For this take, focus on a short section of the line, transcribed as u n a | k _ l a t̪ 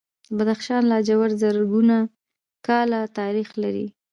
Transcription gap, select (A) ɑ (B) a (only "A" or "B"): A